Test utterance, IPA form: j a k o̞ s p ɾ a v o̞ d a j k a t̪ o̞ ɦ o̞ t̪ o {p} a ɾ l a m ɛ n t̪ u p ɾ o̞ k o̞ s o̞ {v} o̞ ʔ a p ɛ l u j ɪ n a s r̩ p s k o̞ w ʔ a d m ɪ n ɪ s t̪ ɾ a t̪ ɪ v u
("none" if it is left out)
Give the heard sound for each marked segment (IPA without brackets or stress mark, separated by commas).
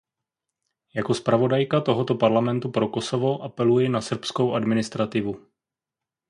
p, v